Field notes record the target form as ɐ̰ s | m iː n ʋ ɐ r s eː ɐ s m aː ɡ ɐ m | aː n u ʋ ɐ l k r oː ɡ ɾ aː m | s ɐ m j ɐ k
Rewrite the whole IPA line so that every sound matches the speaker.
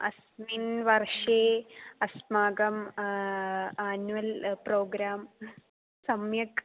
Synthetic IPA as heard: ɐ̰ s | m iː n ʋ ɐ r ʂ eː ɐ s m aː ɡ ɐ m | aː n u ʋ ɐ l p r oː ɡ ɾ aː m | s ɐ m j ɐ k